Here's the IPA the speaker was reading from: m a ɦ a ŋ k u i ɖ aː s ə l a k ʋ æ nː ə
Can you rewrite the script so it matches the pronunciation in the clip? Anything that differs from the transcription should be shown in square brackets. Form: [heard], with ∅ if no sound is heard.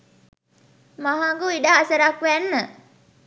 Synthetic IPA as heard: m a ɦ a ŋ [ɡ] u i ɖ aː s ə [ɾ] a k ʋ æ nː ə